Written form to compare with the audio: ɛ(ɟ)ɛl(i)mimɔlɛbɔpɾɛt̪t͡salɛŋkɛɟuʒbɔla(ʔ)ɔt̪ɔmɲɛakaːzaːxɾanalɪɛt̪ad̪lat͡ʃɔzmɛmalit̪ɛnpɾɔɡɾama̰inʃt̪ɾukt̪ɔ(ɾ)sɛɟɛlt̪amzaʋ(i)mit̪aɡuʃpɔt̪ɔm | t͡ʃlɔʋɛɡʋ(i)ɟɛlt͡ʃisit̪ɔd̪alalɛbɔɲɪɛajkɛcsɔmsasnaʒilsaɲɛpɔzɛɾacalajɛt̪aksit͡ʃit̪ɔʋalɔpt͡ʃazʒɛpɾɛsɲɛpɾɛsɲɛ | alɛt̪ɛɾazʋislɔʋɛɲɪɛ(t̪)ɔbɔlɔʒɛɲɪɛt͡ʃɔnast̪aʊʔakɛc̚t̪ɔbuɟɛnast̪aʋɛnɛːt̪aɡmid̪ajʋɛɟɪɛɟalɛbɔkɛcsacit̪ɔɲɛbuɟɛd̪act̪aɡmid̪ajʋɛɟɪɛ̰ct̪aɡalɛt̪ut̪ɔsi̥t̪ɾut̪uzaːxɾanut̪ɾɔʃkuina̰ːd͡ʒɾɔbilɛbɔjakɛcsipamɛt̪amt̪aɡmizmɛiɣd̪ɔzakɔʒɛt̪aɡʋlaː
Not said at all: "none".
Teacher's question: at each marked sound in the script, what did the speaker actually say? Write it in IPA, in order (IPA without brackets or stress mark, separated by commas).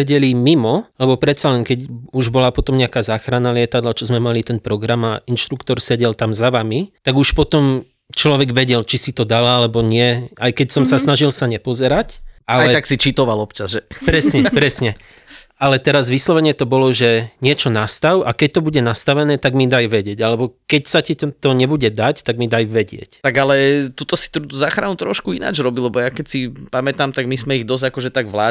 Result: ɟ, i, p, ɾ, a, ɛ, t̪